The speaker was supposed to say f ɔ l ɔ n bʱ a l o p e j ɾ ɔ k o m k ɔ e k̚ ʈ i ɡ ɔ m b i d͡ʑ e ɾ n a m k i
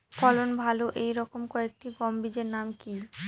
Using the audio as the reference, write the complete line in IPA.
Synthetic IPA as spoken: f ɔ l o n bʱ a l o ʔ e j ɾ ɔ k o m k ɔ e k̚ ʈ i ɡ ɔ m b i d͡ʑ e ɾ n a m k i